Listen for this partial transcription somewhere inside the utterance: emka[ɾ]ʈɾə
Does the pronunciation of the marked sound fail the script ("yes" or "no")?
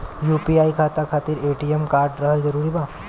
no